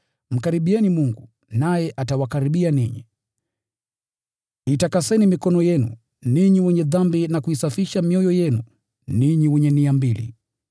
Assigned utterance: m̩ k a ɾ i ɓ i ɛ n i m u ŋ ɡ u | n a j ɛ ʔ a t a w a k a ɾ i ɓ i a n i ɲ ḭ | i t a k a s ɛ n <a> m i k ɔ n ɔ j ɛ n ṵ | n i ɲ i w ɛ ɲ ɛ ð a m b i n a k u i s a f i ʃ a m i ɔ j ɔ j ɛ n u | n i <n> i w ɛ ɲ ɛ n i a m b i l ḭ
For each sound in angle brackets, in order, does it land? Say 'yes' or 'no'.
no, no

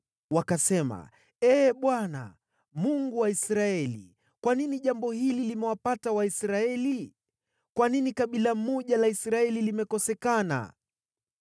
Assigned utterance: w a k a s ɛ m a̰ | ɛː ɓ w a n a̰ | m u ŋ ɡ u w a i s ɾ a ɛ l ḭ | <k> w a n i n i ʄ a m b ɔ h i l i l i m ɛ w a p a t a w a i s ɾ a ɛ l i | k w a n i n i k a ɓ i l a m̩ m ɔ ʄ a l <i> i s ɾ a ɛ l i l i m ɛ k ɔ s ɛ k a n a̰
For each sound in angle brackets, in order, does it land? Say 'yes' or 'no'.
yes, no

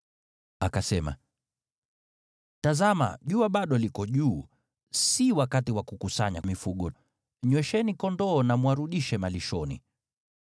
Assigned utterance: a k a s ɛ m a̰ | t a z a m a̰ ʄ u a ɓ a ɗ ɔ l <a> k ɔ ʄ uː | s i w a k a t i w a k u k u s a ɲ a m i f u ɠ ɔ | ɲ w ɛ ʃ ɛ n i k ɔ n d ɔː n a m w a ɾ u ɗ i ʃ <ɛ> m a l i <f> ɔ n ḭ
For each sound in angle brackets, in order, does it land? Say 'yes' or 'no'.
no, yes, no

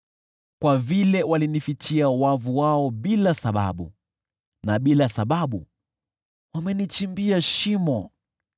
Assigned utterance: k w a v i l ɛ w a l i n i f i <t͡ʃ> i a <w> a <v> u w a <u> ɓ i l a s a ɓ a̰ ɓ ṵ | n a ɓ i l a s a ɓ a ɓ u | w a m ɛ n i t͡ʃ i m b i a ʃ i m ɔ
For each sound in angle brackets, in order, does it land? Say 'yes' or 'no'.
yes, yes, yes, no

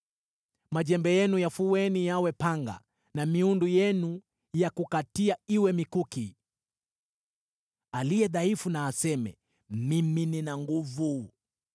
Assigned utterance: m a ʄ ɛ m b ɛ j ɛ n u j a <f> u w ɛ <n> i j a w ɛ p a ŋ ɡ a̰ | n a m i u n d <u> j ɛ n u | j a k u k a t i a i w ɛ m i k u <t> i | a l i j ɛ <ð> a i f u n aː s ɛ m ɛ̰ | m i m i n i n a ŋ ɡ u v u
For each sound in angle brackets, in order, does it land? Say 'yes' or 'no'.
yes, yes, yes, no, yes

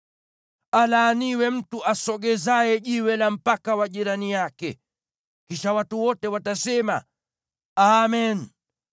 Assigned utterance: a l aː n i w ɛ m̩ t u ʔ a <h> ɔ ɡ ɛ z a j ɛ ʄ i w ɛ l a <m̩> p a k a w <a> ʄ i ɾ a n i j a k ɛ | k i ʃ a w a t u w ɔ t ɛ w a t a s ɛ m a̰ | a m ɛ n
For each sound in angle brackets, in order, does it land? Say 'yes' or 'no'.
no, yes, yes

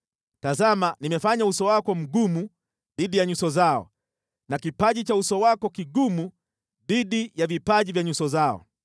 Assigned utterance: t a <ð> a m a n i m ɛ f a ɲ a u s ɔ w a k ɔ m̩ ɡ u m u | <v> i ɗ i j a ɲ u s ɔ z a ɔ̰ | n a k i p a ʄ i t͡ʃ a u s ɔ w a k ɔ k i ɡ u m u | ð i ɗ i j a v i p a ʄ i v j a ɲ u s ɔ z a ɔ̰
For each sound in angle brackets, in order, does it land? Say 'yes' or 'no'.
no, no

